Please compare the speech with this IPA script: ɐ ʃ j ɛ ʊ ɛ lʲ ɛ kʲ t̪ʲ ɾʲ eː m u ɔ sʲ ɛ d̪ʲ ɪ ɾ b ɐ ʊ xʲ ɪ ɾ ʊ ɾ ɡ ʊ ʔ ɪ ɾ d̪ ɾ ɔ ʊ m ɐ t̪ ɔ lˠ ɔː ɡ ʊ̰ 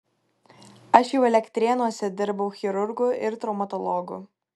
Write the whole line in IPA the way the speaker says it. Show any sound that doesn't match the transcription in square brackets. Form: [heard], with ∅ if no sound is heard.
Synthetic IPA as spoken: ɐ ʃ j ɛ ʊ ɛ lʲ ɛ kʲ t̪ʲ ɾʲ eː [n] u ɔ sʲ ɛ d̪ʲ ɪ ɾ b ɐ ʊ xʲ ɪ ɾ ʊ ɾ ɡ ʊ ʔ ɪ ɾ [t̪] ɾ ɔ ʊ m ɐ t̪ ɔ lˠ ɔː ɡ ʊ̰